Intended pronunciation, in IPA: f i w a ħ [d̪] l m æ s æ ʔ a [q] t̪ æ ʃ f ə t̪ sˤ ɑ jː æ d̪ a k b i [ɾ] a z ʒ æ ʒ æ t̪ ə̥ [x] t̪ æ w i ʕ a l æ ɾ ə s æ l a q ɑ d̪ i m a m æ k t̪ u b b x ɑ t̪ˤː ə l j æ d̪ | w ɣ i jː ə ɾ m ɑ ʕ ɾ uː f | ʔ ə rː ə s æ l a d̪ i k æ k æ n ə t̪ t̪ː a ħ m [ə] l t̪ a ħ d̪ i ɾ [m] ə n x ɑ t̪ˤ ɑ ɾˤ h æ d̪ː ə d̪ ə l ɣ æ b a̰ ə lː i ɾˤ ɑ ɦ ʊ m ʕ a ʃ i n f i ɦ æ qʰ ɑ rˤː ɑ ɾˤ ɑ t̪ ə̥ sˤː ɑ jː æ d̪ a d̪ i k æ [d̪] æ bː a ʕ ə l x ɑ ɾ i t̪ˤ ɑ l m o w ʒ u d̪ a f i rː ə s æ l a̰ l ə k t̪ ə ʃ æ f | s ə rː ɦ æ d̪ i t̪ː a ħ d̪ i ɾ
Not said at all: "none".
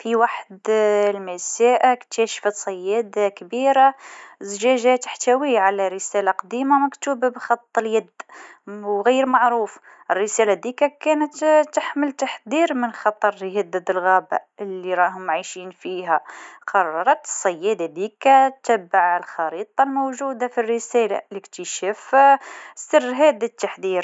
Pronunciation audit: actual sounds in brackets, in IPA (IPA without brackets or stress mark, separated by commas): d̪, k, ɾ, ħ, ə, m, t̪